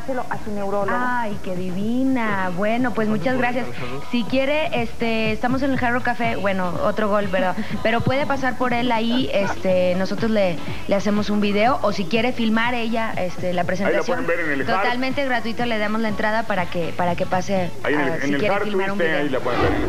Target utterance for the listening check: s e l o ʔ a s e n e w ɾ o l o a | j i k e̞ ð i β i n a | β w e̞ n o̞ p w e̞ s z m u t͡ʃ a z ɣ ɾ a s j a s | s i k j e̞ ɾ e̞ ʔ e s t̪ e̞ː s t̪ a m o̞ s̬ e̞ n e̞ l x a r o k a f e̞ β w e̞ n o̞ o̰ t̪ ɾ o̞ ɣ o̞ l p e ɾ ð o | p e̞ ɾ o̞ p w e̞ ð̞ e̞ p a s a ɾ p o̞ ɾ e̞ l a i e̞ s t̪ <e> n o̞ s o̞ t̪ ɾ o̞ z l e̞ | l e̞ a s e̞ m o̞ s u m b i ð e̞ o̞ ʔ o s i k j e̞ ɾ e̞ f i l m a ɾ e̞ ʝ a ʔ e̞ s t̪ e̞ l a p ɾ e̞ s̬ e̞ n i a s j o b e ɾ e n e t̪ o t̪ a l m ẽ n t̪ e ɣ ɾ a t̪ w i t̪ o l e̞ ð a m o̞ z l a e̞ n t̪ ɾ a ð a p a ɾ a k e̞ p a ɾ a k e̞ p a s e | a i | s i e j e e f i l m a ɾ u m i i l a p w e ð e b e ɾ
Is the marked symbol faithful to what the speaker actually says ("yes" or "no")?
yes